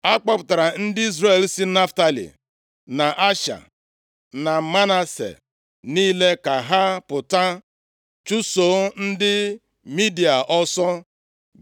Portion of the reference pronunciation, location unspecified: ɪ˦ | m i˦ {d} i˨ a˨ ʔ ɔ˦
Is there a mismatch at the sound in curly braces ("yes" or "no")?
no